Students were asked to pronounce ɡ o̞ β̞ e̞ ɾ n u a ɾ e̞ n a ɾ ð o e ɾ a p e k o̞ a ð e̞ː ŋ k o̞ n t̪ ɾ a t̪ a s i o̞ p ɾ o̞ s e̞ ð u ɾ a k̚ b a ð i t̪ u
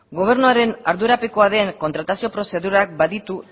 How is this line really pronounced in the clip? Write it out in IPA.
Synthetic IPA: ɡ o̞ β̞ e̞ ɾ n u a ɾ e̞ n a ɾ ð u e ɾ a p e k o̞ a ð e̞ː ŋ k o̞ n t̪ ɾ a t̪ a s i o̞ p ɾ o̞ s e̞ ð u ɾ a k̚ b a ð i t̪ u